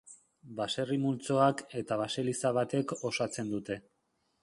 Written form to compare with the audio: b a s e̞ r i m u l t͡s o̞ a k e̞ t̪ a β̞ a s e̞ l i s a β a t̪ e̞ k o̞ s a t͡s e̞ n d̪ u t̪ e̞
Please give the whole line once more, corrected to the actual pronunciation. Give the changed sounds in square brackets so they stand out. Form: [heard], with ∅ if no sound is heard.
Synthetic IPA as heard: b a s e̞ r i m u l t͡s o̞ a k e̞ t̪ a β̞ a s e̞ l i s a β a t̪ e̞ k o̞ s a t͡s e̞ n d̪ u t̪ e̞